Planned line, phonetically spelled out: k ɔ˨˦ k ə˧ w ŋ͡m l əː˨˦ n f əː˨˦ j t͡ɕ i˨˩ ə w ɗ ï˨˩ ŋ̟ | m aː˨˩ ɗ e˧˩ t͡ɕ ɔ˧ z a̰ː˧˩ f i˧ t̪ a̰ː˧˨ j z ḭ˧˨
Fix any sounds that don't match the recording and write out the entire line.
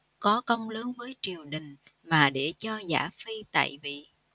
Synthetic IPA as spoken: k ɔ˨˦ k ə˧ w ŋ͡m l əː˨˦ n v əː˨˦ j t͡ɕ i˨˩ ə w ɗ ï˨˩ ŋ̟ | m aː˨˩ ɗ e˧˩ t͡ɕ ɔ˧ z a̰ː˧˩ f i˧ t̪ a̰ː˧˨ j v ḭ˧˨